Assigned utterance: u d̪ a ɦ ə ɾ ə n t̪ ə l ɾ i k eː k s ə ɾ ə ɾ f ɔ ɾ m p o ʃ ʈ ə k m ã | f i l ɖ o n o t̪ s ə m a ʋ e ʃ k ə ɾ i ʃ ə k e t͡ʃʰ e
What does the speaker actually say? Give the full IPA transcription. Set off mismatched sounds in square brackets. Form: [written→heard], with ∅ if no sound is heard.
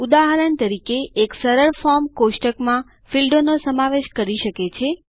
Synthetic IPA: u d̪ a ɦ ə ɾ ə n t̪ ə [l→∅] ɾ i k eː k s ə ɾ ə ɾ f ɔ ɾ m [p→k] o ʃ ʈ ə k m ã | f i l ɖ o n o [t̪→∅] s ə m a ʋ e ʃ k ə ɾ i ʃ ə k e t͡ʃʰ e